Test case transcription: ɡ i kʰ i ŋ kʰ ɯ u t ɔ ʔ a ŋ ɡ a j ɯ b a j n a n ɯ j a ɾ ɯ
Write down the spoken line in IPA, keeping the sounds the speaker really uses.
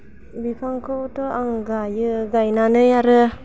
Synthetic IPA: b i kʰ a ŋ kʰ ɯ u t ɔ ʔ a ŋ ɡ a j ɯ ɡ a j n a n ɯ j a ɾ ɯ